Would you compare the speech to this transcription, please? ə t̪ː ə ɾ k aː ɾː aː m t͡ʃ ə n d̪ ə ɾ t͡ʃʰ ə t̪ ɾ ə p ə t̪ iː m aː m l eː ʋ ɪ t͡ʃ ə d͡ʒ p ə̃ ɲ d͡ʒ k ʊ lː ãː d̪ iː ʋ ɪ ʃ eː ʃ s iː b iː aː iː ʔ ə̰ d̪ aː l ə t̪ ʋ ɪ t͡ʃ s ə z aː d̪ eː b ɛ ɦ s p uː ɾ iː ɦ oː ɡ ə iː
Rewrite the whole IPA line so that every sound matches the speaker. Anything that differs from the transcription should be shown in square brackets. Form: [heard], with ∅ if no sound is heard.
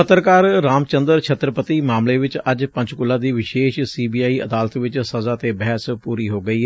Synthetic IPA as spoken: ə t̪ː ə ɾ k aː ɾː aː m t͡ʃ ə n d̪ ə ɾ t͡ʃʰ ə t̪ ɾ ə p ə t̪ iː m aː m l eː ʋ ɪ t͡ʃ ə d͡ʒ p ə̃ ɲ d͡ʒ k ʊ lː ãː d̪ iː ʋ ɪ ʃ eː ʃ s iː b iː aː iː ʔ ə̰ d̪ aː l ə t̪ ʋ ɪ t͡ʃ s ə z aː [t̪] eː b ɛ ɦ s p uː ɾ iː ɦ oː ɡ ə iː